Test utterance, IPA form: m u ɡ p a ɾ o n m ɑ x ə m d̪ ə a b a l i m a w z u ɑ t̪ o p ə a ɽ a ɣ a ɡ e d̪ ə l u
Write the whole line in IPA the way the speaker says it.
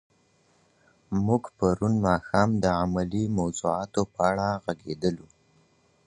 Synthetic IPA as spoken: m u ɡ p a ɾ u n m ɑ x ɑ m d̪ ə a m a l i m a w z u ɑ t̪ o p ə a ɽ a ɣ a ɡ e d̪ ə l u